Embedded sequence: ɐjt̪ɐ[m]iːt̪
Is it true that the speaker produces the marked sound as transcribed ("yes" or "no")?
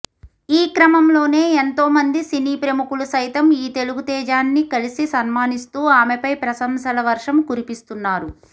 yes